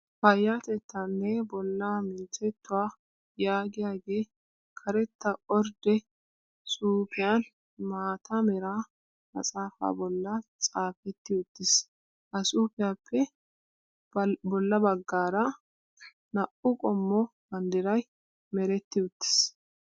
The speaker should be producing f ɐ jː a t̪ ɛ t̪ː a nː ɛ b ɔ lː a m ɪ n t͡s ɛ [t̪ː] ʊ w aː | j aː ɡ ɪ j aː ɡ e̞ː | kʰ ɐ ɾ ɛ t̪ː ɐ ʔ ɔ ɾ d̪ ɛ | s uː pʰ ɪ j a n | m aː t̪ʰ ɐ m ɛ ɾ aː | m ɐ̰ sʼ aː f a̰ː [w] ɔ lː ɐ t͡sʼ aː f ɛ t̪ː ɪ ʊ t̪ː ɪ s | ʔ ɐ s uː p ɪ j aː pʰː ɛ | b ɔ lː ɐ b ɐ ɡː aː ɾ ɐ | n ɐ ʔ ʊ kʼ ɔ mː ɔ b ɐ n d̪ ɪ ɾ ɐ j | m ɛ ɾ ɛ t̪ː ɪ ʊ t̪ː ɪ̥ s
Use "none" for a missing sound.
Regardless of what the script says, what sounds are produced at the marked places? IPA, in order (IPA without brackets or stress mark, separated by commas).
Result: t̪ː, b